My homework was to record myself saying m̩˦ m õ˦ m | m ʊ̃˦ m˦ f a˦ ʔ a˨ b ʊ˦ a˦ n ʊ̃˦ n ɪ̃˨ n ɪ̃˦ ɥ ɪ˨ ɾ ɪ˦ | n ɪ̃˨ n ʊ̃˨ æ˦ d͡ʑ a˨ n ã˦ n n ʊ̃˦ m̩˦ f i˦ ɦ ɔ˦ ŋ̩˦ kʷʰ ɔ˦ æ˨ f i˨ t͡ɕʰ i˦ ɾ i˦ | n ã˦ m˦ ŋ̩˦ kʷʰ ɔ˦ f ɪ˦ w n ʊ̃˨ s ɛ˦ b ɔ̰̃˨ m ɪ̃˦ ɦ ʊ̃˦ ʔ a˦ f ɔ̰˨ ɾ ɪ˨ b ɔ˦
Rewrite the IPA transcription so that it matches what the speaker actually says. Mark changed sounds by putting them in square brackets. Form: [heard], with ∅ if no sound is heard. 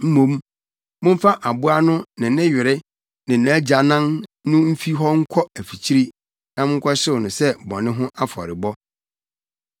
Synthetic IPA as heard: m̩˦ m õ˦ m | m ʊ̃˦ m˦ f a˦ ʔ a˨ b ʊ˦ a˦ n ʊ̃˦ n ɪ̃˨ n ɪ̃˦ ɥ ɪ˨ ɾ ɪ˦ | n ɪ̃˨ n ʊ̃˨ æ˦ d͡ʑ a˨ n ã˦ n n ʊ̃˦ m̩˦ f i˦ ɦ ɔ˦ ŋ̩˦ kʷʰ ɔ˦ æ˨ f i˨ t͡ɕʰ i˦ ɾ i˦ | n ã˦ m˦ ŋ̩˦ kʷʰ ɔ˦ [ɕ] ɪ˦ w n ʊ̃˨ s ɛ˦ b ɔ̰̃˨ [n] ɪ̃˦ ɦ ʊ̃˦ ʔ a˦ f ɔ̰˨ ɾ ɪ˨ b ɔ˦